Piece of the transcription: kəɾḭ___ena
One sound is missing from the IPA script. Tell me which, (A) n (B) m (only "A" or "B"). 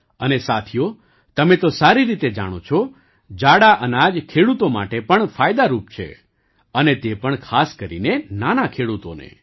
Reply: A